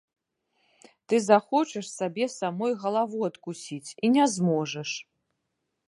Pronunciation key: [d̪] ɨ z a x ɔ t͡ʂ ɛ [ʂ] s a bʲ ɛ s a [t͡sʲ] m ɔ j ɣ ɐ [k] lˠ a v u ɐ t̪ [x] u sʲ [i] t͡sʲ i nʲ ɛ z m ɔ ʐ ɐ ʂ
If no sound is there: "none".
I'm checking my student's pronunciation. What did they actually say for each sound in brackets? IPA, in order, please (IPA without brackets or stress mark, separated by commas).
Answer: t̪, ʂ, none, none, k, i